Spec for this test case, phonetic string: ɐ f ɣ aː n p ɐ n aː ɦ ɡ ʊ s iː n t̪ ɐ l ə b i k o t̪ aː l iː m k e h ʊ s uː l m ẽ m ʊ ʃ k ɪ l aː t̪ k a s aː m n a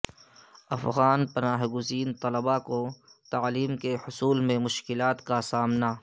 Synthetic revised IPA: ɐ f ɣ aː n p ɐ n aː ɦ ɡ ʊ z iː n t̪ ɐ l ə b a k o t̪ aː l iː m k e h ʊ s uː l m ẽ m ʊ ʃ k ɪ l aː t̪ k a s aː m n a